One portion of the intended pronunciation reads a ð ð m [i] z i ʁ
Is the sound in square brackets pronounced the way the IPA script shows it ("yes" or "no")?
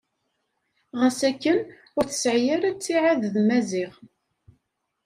no